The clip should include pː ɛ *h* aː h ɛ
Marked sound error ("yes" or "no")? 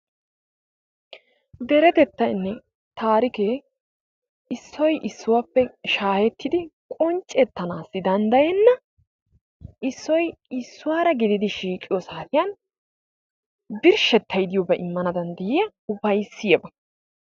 yes